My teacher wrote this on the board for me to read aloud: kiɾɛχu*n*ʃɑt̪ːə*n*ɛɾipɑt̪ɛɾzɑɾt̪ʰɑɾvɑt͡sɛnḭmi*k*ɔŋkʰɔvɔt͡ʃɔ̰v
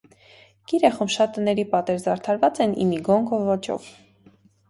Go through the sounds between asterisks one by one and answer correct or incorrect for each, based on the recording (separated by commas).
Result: incorrect, correct, incorrect